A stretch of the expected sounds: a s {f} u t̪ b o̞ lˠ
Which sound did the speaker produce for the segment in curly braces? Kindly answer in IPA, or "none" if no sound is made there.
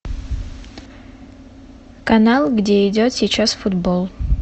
f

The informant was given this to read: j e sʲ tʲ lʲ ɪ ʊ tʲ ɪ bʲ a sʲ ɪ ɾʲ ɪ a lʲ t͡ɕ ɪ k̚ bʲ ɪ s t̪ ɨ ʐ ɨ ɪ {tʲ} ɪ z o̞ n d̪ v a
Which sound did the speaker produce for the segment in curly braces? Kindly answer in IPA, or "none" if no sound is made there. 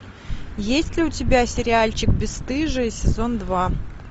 sʲ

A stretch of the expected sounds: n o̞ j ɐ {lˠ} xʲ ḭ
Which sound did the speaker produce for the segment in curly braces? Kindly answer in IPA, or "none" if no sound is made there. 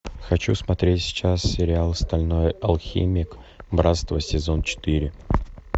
lˠ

